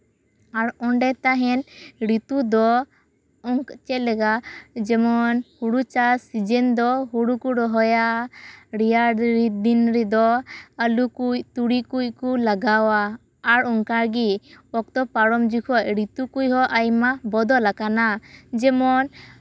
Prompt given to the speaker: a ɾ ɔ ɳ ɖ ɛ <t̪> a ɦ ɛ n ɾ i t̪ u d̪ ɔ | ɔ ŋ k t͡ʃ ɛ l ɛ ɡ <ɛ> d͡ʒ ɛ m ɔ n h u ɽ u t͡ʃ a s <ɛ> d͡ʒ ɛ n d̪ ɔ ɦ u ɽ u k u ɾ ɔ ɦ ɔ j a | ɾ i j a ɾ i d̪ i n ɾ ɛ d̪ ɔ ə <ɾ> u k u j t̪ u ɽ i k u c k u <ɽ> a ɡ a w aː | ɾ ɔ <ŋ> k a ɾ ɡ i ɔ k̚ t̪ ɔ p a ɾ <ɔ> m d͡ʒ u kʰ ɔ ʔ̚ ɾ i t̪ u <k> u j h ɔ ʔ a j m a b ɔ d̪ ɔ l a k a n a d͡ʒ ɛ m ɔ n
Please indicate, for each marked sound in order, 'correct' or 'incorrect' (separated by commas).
correct, incorrect, incorrect, incorrect, incorrect, correct, correct, correct